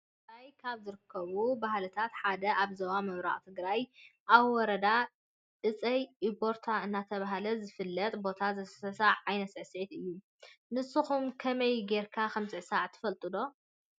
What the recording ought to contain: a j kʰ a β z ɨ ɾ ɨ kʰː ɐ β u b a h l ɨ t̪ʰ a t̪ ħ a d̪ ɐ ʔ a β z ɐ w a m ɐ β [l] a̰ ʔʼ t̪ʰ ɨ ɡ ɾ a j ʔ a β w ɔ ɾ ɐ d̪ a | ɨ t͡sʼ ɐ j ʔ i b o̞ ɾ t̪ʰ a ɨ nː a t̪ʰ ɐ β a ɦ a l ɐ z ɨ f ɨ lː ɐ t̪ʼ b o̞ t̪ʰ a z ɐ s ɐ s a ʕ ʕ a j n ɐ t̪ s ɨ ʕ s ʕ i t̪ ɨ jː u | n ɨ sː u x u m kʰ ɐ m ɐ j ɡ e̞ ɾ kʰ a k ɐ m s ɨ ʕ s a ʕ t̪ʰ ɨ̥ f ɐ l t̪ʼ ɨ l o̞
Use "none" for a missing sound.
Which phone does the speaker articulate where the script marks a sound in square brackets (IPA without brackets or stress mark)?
ɾ